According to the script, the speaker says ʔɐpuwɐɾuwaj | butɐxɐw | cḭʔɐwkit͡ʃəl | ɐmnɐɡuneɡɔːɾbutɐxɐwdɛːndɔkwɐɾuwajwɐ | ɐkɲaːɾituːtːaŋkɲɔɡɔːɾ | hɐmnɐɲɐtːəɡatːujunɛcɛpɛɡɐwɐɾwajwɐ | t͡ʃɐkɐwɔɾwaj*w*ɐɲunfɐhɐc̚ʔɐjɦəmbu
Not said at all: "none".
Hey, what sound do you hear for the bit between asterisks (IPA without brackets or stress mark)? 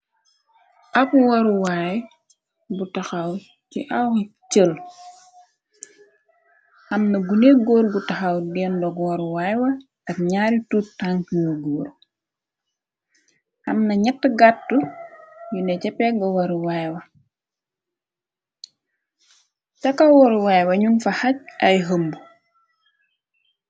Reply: w